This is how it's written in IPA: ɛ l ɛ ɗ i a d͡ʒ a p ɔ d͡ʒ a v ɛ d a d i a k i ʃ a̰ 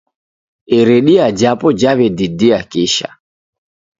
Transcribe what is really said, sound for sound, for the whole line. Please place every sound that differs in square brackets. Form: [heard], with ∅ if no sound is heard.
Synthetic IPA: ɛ [ɾ] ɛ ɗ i a d͡ʒ a p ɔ d͡ʒ a [β] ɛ d [i] d i a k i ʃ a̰